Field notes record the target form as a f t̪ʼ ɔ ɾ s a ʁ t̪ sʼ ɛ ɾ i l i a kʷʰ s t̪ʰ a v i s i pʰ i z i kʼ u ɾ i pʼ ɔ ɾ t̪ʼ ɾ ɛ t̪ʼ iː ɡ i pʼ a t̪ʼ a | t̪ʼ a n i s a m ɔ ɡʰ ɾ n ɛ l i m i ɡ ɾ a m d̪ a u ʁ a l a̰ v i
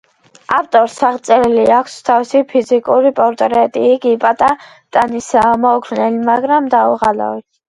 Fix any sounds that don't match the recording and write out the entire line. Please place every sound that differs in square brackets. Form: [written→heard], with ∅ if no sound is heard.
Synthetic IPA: a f t̪ʼ ɔ ɾ s a ʁ t̪ sʼ ɛ ɾ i l i a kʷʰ s t̪ʰ a v i s i pʰ i z i kʼ u ɾ i pʼ ɔ ɾ t̪ʼ ɾ ɛ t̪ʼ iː ɡ i pʼ a t̪ʼ a | t̪ʼ a n i s a m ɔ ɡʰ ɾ n ɛ l i m [i→a] ɡ ɾ a m d̪ a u ʁ a l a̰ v i